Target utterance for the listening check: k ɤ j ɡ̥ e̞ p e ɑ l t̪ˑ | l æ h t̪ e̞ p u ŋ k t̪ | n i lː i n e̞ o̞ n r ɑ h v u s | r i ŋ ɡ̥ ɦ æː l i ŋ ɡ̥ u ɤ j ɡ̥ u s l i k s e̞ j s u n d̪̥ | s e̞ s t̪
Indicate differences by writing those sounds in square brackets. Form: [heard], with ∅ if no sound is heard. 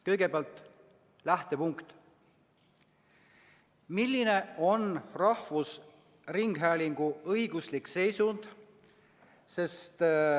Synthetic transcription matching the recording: k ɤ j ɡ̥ e̞ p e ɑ l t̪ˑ | l æ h t̪ e̞ p u ŋ k t̪ | [m] i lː i n e̞ o̞ n r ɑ h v u s | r i ŋ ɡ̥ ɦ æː l i ŋ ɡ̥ u ɤ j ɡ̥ u s l i k s e̞ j s u n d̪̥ | s e̞ s t̪